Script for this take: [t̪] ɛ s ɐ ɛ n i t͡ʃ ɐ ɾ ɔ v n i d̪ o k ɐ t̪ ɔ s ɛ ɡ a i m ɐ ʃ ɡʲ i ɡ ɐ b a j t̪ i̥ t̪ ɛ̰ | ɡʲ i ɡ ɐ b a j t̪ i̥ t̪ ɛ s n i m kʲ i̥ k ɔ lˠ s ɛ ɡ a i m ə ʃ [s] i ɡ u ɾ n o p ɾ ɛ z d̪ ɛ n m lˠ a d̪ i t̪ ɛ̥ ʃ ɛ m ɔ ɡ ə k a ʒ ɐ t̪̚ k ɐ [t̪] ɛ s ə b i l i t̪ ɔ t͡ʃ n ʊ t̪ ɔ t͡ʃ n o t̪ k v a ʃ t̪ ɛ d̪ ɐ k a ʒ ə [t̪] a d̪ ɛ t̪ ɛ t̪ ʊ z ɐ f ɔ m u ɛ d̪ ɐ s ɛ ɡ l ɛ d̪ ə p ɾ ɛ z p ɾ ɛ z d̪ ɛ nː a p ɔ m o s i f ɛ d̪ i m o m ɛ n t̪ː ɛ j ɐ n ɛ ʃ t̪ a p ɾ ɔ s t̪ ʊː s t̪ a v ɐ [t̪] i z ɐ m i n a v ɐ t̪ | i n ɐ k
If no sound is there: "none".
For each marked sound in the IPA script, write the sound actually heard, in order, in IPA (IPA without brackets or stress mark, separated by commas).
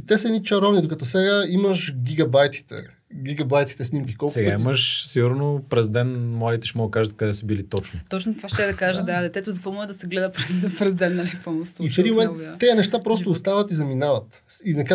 t̪, s, d̪, d̪, t̪